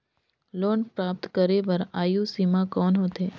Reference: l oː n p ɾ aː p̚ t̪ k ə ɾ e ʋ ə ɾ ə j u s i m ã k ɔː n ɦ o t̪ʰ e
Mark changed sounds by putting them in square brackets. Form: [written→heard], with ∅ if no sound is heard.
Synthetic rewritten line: l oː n p ɾ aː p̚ t̪ k ə ɾ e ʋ ə ɾ [ə→a] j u s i m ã k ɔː n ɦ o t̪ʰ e